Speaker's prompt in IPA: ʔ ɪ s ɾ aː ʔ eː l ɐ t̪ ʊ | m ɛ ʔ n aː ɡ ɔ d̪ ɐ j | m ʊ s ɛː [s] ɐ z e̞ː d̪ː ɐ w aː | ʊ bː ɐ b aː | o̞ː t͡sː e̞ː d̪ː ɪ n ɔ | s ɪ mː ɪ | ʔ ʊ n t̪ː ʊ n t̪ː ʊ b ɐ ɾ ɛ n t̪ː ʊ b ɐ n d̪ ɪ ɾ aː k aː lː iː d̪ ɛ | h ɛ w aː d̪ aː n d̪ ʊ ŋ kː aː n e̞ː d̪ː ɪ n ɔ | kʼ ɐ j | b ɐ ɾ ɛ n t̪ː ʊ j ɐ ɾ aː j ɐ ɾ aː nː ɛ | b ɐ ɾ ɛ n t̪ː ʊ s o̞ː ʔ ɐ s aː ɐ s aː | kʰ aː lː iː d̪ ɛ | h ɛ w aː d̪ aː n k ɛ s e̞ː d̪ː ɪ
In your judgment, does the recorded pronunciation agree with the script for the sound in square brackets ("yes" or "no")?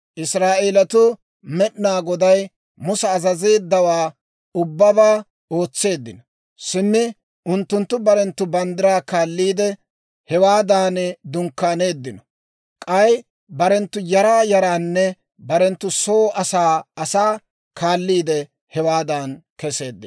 no